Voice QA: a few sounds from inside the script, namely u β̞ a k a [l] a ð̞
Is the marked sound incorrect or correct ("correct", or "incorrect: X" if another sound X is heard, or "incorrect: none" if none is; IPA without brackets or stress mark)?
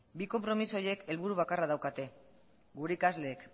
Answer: incorrect: r